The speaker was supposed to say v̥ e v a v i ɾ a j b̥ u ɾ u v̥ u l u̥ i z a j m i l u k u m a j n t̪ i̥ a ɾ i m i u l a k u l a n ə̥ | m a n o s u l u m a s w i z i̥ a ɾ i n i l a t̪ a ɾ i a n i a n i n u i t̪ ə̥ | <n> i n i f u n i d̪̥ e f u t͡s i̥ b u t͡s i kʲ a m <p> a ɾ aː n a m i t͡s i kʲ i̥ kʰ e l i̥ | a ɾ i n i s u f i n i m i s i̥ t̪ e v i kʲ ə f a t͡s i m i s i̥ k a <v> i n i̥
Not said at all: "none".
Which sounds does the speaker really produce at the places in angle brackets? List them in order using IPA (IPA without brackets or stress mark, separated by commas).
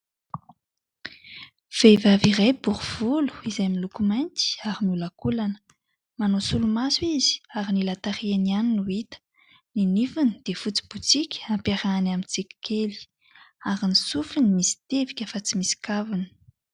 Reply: n, p, v